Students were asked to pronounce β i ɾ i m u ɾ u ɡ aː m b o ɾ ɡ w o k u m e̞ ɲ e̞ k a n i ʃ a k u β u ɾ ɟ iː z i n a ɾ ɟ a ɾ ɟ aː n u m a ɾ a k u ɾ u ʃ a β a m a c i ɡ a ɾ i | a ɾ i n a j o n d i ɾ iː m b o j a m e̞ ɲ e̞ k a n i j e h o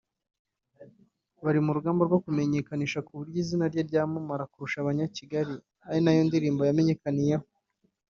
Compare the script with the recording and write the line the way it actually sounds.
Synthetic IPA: β a ɾ i m u ɾ u ɡ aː m b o ɾ ɡ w o k u m e̞ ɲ e̞ k a n i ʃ a k u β u ɾ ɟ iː z i n a ɾ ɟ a ɾ ɟ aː m u m a ɾ a k u ɾ u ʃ a β a ɲ a c i ɡ a ɾ i | a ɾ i n a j o n d i ɾ iː m b o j a m e̞ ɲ e̞ k a n i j e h o